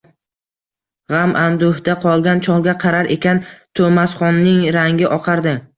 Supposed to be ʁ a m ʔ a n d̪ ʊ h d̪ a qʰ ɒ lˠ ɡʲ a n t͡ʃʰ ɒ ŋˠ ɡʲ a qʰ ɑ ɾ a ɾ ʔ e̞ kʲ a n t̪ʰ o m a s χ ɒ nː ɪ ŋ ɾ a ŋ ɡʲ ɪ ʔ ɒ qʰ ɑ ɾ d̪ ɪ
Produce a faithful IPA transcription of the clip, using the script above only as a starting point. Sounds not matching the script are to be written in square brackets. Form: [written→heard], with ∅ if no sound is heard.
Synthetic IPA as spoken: ʁ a m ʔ a n d̪ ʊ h d̪ a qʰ ɒ lˠ ɡʲ a n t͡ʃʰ ɒ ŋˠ ɡʲ a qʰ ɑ ɾ a ɾ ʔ e̞ kʲ a n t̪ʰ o m a s χ ɒ nː ɪ ŋ ɾ a ŋ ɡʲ ɪ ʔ ɒ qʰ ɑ ɾ d̪ ɪ